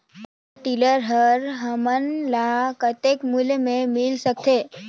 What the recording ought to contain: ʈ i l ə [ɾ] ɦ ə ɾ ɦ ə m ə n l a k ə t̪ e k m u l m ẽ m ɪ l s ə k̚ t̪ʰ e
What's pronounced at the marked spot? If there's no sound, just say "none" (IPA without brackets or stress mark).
ɾ